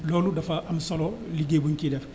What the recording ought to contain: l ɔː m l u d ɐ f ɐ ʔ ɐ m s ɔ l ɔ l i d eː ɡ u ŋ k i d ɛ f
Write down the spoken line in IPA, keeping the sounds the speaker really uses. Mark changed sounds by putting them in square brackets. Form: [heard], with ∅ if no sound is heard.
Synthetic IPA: l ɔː [∅] l u d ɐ f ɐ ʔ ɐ m s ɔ l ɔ l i [ɡ] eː [b] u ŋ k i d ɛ f